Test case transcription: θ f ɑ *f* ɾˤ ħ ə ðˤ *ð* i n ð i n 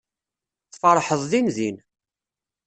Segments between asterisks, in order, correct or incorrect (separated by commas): incorrect, correct